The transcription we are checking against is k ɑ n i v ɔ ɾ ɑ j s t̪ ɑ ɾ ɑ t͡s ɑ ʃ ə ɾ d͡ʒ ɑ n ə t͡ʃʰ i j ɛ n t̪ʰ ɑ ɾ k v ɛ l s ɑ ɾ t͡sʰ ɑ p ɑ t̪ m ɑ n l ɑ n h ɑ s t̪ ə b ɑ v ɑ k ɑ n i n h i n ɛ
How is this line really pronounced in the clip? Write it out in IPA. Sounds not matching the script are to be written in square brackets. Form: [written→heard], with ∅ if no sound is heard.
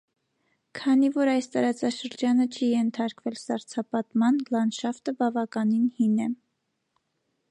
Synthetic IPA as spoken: [k→kʰ] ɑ n i v ɔ ɾ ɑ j s t̪ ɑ ɾ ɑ t͡s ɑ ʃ ə ɾ d͡ʒ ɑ n ə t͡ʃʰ i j ɛ n t̪ʰ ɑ ɾ k v ɛ l s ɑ ɾ t͡sʰ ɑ p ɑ t̪ m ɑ n l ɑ n [h→ʃ] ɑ [s→f] t̪ ə b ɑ v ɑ k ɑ n i n h i n ɛ